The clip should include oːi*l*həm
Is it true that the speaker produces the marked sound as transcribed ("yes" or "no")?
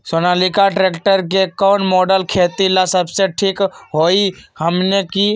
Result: no